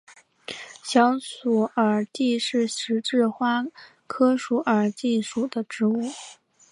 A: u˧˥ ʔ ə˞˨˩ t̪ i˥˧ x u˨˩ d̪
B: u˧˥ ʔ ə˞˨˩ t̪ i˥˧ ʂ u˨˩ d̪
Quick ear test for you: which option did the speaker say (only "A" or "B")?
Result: B